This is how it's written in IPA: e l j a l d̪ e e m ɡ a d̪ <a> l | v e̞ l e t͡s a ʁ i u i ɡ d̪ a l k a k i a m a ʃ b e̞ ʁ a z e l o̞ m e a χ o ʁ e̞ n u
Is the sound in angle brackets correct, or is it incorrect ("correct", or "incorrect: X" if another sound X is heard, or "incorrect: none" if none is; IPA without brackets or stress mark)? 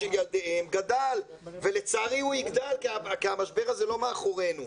correct